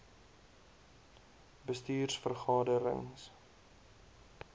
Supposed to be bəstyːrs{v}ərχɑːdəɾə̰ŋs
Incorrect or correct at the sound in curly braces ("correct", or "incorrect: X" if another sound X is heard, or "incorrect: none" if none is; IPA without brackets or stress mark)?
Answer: incorrect: f